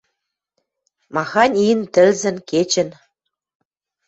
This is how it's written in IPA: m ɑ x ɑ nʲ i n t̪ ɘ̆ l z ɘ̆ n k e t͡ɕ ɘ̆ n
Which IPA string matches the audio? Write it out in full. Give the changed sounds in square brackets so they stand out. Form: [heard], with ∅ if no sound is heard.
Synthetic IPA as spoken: m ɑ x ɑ nʲ i n t̪ ɘ̆ l z ɘ̆ n k e t͡ɕ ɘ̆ n